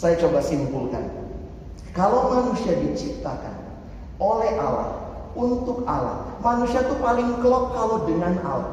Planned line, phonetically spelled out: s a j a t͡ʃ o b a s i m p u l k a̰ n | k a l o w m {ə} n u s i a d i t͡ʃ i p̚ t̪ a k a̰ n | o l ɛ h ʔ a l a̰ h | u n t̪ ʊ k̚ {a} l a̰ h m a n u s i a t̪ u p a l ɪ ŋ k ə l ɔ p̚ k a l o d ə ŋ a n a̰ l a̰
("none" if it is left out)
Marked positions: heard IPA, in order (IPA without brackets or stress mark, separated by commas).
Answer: a, a